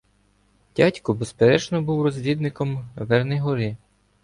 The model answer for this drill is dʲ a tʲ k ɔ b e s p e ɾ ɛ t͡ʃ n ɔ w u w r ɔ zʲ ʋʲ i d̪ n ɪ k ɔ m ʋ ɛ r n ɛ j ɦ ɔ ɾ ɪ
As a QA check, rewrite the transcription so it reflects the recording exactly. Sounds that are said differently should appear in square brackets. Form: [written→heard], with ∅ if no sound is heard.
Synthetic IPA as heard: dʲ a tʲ k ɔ b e s p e ɾ ɛ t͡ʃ n ɔ [w→b] u w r ɔ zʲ ʋʲ i d̪ n ɪ k ɔ m ʋ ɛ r n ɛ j ɦ ɔ ɾ ɪ